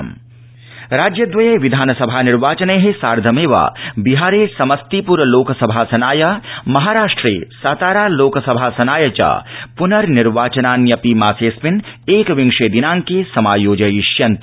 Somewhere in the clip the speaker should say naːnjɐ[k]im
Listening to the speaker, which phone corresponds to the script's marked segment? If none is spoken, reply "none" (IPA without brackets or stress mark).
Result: p